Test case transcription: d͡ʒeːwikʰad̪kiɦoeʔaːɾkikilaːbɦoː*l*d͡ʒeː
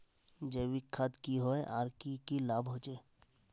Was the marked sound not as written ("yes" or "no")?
yes